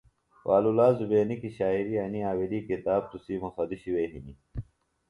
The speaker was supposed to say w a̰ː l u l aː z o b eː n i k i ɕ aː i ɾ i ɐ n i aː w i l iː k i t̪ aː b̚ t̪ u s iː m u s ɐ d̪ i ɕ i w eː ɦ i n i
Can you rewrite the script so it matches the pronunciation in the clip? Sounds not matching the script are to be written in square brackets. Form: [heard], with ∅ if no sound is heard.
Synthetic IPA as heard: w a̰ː l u l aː z [u] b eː n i k i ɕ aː i ɾ i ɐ n i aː w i l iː k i t̪ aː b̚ t̪ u s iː m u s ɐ d̪ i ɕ i w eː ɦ i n i